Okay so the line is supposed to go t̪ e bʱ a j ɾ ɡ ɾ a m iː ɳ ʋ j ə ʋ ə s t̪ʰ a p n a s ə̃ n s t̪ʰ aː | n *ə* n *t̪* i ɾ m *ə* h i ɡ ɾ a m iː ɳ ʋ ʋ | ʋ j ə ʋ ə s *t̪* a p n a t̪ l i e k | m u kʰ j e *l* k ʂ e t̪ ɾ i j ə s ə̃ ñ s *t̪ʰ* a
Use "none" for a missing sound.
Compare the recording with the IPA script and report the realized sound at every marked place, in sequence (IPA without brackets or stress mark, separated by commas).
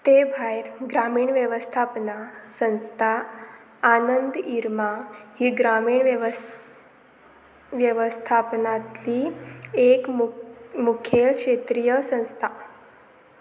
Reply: ə, d̪, a, t̪ʰ, l, t̪ʰ